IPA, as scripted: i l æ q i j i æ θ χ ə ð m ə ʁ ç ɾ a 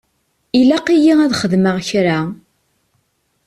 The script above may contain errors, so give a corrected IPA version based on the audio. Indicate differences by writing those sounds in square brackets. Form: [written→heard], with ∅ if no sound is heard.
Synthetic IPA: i l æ q i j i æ [θ→ð] χ ə ð m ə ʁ ç ɾ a